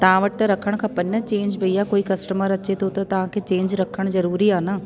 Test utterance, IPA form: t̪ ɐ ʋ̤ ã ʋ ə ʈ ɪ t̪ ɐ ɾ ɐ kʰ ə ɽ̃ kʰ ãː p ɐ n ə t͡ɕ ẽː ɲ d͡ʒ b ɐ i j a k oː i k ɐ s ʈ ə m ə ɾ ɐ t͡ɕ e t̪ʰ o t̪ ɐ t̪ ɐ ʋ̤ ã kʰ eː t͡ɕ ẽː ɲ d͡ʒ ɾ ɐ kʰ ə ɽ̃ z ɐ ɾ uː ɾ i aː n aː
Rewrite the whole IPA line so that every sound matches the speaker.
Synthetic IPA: t̪ ɐ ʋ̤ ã ʋ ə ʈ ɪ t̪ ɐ ɾ ɐ kʰ ə ɽ̃ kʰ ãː p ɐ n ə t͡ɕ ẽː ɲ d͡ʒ b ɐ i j a k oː i k ɐ s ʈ ə m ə ɾ ɐ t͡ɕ e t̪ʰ o t̪ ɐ t̪ ɐ ʋ̤ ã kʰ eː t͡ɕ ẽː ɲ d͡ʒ ɾ ɐ kʰ ə ɽ̃ z ɐ ɾ uː ɾ i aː n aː